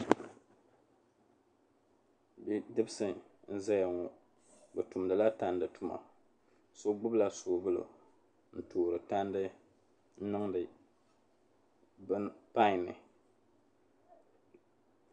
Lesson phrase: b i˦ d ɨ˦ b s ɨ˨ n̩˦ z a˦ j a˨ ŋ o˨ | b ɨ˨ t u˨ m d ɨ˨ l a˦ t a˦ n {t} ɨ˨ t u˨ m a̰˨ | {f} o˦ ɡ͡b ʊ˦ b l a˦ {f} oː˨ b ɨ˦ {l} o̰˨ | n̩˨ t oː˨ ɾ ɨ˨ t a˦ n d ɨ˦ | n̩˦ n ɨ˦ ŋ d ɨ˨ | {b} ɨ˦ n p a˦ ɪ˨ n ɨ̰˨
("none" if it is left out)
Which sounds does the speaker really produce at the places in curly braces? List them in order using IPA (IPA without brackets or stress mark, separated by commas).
d, s, s, l, b